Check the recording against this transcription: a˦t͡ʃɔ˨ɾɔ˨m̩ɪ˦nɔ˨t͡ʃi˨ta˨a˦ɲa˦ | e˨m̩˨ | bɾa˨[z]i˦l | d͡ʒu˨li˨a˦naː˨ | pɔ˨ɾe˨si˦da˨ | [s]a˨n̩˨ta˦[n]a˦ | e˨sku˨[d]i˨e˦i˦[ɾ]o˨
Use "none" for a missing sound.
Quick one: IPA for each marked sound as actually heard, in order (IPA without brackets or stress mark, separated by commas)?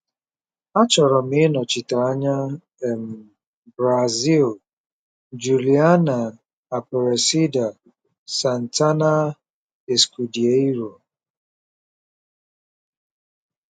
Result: z, s, n, d, ɾ